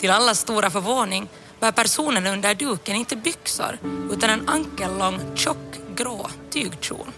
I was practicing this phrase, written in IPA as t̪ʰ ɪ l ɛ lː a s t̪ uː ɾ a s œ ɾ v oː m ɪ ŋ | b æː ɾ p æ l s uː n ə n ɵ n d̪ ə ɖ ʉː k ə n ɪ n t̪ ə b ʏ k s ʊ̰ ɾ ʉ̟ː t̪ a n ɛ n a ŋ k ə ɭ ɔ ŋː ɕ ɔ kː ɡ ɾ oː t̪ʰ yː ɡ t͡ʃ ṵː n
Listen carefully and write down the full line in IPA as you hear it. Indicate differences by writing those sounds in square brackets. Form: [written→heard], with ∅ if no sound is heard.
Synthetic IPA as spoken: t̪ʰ ɪ l [ɛ→a] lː a s t̪ uː ɾ a [s→f] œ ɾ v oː [m→n] ɪ ŋ | b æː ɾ p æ [l→ɾ] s uː n ə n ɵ n d̪ ə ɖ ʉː k ə n ɪ n t̪ ə b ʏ k s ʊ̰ ɾ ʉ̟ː t̪ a n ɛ n a ŋ k ə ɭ ɔ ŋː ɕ ɔ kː ɡ ɾ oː t̪ʰ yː ɡ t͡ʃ ṵː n